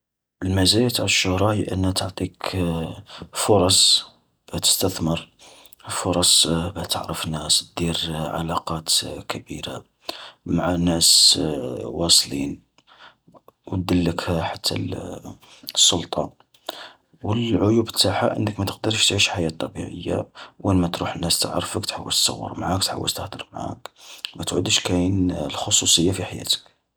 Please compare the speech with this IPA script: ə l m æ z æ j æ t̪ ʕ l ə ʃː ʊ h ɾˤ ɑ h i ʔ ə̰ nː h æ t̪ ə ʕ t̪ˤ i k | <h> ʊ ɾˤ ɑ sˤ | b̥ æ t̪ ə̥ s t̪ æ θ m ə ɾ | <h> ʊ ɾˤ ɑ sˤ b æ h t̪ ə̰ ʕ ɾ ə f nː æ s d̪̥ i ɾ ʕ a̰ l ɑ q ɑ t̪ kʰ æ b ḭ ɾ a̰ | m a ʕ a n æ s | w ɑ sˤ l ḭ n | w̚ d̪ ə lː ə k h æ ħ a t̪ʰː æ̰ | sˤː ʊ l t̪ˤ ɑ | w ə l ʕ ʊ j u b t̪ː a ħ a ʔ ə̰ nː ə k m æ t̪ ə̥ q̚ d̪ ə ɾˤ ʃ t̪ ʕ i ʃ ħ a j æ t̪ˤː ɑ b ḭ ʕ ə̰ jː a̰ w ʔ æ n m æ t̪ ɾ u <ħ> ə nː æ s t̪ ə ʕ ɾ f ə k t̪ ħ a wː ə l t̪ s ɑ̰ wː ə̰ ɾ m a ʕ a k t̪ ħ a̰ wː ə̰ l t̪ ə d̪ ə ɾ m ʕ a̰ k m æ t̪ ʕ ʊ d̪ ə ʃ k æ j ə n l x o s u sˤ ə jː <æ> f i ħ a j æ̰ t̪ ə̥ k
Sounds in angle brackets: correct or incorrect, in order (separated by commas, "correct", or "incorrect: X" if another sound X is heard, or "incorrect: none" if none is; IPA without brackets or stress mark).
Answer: incorrect: f, incorrect: f, correct, incorrect: a